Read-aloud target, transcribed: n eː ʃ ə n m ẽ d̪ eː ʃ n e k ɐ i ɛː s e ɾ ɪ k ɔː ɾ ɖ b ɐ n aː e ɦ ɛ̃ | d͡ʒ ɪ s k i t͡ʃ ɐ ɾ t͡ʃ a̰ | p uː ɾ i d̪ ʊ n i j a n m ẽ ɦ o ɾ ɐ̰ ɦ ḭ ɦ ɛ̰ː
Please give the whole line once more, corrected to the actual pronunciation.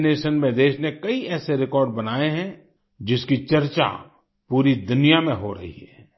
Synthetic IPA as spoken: n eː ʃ ə n m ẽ d̪ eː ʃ n e k ɐ i ɛː s e ɾ ɪ k ɔː ɾ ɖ b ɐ n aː e ɦ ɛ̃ | d͡ʒ ɪ s k i t͡ʃ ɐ ɾ t͡ʃ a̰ | p uː ɾ i d̪ ʊ n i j a m ẽ ɦ o ɾ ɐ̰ ɦ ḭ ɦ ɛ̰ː